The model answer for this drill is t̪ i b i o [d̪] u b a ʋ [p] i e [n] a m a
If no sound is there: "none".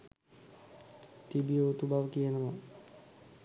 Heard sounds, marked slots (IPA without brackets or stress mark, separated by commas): t̪, k, n